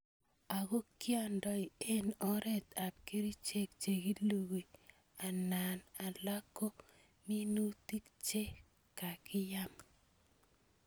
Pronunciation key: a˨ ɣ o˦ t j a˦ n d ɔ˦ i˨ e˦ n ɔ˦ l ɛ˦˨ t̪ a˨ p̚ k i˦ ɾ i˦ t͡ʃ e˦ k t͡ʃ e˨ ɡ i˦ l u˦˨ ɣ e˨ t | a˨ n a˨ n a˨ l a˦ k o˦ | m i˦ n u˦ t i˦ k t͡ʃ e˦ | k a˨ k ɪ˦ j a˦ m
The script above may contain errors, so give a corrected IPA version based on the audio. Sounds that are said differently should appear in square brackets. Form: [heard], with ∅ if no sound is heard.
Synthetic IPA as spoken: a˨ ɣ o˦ [k] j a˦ n d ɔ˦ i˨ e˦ n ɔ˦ [ɾ] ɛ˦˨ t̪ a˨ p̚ k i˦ ɾ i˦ t͡ʃ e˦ k t͡ʃ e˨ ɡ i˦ l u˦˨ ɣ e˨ [∅] | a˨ n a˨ n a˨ l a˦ k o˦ | m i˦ n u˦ t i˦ k t͡ʃ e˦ | k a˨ k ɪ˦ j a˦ m